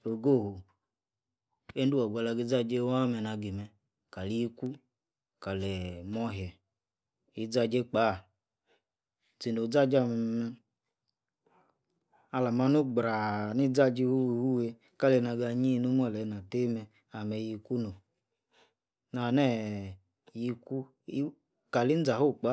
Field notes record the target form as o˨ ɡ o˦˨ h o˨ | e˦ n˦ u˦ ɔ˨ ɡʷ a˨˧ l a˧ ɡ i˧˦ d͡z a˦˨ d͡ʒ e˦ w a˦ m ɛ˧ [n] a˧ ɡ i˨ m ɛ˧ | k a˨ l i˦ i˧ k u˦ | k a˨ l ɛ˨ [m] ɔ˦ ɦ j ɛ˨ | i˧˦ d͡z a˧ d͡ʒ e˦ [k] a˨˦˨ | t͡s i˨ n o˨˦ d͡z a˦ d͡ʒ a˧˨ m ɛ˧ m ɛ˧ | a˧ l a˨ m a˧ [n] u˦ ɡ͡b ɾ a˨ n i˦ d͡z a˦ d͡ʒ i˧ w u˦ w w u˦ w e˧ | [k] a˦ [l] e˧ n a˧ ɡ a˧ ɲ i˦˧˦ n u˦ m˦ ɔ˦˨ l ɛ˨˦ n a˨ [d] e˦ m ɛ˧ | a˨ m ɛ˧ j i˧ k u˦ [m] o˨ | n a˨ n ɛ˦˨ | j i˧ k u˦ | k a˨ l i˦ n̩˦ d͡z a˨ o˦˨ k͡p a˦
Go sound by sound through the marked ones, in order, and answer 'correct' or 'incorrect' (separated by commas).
correct, correct, incorrect, correct, correct, correct, incorrect, incorrect